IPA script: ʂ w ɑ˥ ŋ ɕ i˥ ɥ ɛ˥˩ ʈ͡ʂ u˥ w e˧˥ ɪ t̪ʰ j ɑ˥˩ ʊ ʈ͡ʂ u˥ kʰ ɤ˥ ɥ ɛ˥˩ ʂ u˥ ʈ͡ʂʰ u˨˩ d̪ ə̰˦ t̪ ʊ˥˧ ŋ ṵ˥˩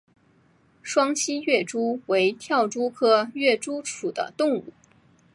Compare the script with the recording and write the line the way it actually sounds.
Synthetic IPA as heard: ʂ w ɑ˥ ŋ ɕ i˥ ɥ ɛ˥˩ ʈ͡ʂ u˥ w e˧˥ ɪ t̪ʰ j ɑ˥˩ ʊ ʈ͡ʂ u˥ kʰ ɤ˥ ɥ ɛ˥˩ ʈ͡ʂ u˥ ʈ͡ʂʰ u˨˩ d̪ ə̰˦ t̪ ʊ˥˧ ŋ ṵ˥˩

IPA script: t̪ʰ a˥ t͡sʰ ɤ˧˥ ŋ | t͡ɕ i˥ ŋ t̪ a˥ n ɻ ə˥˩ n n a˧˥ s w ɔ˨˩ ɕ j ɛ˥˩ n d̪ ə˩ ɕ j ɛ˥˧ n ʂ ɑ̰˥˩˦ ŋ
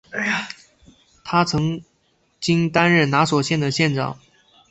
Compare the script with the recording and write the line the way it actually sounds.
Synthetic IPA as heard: t̪ʰ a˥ t͡sʰ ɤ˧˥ ŋ | t͡ɕ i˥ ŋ t̪ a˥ n ɻ ə˥˩ n n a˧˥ s w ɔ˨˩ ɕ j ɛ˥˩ n d̪ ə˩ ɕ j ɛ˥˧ n ʈ͡ʂ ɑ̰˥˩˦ ŋ

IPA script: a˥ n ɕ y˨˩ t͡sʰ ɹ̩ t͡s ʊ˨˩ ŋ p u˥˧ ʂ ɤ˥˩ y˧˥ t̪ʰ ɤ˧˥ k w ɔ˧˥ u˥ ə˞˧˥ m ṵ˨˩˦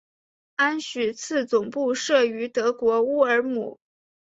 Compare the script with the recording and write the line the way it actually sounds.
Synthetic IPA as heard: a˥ n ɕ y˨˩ t͡sʰ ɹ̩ t͡s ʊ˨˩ ŋ p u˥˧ ʂ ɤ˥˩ y˧˥ t̪ ɤ˧˥ k w ɔ˧˥ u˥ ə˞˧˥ m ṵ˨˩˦

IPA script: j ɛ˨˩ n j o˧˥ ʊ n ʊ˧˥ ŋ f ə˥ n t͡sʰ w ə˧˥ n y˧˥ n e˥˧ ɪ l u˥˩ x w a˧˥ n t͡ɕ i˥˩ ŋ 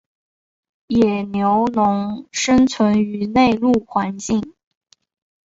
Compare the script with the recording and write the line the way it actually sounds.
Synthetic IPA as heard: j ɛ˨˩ n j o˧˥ ʊ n ʊ˧˥ ŋ ʂ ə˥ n t͡sʰ w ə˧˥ n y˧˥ n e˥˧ ɪ l u˥˩ x w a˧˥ n t͡ɕ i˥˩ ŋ

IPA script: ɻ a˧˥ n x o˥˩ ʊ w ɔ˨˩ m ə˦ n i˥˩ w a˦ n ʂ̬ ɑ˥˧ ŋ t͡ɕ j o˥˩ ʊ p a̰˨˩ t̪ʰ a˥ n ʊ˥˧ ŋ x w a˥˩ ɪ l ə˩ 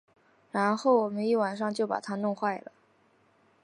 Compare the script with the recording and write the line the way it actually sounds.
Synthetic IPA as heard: ɻ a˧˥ n x o˥˩ ʊ w ɔ˨˩ m ə˦ n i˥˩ w a˨˩ n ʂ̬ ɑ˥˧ ŋ t͡ɕ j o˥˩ ʊ p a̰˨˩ t̪ʰ a˥ n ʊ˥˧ ŋ x w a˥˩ ɪ l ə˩

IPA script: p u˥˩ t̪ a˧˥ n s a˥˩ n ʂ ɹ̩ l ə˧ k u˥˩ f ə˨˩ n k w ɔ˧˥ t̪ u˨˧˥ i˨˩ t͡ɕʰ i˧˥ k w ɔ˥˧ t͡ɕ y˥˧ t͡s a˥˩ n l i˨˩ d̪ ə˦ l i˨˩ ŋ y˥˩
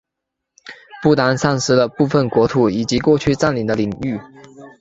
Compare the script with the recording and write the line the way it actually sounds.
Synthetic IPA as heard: p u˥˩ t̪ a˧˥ n s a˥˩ n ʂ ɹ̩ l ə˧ p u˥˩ f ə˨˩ n k w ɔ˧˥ t̪ʰ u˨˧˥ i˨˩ t͡ɕ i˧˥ k w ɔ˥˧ t͡ɕʰ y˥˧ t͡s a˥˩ n l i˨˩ d̪ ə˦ l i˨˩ ŋ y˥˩

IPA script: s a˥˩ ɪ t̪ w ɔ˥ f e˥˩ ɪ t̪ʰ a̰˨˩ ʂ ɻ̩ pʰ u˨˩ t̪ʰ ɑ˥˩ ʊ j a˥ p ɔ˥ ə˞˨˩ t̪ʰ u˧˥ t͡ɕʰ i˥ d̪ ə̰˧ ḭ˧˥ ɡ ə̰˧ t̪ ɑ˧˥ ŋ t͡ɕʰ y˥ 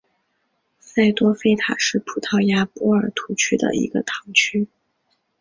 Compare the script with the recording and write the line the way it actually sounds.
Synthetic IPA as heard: s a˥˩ ɪ t̪ w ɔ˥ f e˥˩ ɪ t̪ʰ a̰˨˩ ʂ ɻ̩ pʰ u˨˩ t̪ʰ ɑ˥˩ ʊ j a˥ p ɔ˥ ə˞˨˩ t̪ʰ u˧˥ t͡ɕʰ y˥ d̪ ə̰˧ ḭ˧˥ ɡ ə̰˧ t̪ʰ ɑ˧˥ ŋ t͡ɕʰ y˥

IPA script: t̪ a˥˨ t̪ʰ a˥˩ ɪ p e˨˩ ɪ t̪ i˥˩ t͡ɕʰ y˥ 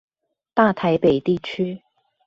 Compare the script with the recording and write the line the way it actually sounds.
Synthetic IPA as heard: t̪ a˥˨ t̪ʰ a˨˥ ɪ p e˨˩ ɪ t̪ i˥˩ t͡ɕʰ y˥

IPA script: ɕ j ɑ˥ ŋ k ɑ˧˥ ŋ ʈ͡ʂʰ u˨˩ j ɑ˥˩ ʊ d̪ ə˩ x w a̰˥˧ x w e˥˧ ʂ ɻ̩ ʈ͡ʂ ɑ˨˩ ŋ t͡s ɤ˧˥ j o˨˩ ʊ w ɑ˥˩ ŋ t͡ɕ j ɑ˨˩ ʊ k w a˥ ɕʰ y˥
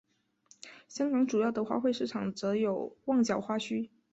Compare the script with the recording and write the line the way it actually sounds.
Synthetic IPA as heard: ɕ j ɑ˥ ŋ k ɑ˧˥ ŋ ʈ͡ʂ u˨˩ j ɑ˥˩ ʊ d̪ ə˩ x w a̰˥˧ x w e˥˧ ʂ ɻ̩ ʈ͡ʂʰ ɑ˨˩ ŋ t͡s ɤ˧˥ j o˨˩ ʊ w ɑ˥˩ ŋ t͡ɕ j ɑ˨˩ ʊ x w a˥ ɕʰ y˥

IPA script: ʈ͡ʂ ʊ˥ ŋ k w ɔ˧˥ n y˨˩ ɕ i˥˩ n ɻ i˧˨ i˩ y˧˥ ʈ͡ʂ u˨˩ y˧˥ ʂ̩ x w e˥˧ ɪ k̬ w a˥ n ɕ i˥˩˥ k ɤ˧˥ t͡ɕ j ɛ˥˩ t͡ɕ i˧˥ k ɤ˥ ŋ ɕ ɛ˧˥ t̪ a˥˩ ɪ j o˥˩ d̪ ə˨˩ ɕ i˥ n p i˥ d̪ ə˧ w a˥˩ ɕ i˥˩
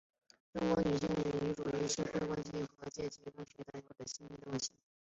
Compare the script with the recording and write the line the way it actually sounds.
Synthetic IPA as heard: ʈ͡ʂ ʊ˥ ŋ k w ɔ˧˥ n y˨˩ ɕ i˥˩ ŋ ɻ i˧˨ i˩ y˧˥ ʈ͡ʂ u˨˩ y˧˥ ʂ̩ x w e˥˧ ɪ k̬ w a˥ n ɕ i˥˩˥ x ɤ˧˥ t͡ɕ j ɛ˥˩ t͡ɕ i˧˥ k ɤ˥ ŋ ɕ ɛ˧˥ t̪ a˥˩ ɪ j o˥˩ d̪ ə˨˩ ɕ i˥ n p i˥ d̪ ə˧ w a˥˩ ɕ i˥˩

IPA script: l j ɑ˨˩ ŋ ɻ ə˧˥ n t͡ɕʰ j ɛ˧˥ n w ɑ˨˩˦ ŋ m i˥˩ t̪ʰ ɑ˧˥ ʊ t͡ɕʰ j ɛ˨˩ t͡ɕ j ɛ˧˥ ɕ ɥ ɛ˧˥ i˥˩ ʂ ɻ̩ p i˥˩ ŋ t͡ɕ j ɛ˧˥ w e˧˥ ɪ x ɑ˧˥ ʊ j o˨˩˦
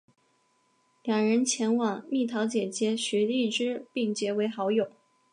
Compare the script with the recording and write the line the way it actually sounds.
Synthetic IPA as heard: l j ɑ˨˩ ŋ ɻ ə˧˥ n t͡ɕʰ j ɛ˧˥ n w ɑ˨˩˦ ŋ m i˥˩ t̪ʰ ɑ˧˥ ʊ t͡ɕ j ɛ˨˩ t͡ɕ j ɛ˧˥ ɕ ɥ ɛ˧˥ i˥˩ ʈ͡ʂ ɻ̩ p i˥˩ ŋ t͡ɕ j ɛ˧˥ w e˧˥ ɪ x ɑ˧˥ ʊ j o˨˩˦

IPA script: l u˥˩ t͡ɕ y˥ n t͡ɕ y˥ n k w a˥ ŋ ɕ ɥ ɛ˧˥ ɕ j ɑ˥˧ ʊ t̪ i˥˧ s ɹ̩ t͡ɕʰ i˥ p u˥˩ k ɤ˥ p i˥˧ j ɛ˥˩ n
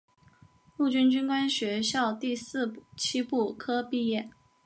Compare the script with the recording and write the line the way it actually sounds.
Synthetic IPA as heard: l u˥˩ t͡ɕ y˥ n t͡ɕ y˥ n k w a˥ n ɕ ɥ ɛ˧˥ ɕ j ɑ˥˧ ʊ t̪ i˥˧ s ɹ̩ t͡ɕʰ i˥ p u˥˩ kʰ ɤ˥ p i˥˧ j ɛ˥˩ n

